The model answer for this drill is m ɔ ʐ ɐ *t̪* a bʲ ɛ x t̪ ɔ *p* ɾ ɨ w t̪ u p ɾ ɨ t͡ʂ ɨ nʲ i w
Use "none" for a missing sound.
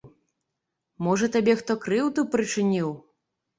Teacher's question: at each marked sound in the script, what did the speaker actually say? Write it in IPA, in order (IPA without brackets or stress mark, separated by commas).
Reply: t̪, k